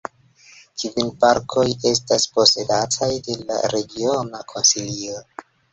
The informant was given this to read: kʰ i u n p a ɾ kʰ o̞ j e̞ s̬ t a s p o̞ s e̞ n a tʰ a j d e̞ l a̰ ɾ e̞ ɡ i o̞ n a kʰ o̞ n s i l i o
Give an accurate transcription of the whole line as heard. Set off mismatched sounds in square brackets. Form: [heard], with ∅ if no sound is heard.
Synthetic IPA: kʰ i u n p a ɾ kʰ o̞ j e̞ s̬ t a s p o̞ s e̞ [d] a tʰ a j d e̞ l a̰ ɾ e̞ ɡ i o̞ n a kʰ o̞ n s i l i o